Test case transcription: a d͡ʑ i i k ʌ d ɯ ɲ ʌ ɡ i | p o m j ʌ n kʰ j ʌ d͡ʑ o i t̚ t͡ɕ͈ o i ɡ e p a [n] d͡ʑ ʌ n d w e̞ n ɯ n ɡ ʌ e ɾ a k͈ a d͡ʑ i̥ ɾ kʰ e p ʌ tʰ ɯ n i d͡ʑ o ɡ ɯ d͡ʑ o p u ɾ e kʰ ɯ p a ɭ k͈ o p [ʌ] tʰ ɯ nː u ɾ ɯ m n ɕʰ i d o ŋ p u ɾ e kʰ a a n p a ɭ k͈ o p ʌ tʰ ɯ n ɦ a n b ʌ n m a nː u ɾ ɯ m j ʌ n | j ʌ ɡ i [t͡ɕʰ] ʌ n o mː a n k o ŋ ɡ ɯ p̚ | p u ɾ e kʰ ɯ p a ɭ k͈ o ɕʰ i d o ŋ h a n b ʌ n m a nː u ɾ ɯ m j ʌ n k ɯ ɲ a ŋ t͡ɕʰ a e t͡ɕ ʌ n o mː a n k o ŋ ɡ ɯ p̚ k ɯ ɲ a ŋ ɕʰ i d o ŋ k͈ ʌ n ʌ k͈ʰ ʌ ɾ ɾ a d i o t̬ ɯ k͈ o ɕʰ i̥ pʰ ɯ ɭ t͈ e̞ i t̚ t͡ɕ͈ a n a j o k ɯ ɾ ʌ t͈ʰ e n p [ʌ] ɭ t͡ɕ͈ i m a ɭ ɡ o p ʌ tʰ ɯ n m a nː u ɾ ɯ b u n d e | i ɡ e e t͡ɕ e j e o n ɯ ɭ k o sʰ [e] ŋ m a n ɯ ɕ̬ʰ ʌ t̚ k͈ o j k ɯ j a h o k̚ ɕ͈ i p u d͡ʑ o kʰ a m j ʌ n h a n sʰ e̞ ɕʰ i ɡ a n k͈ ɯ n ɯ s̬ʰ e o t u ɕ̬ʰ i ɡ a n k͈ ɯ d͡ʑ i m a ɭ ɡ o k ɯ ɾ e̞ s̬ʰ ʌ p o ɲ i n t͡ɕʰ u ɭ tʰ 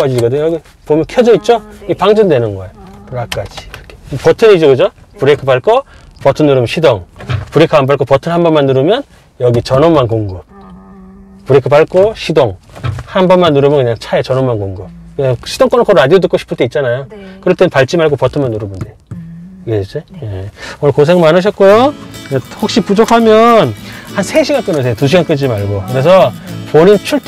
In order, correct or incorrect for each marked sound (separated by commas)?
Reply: incorrect, correct, incorrect, incorrect, correct